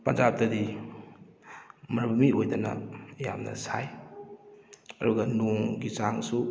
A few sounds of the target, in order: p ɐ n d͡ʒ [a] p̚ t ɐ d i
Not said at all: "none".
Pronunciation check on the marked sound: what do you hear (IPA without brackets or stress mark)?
a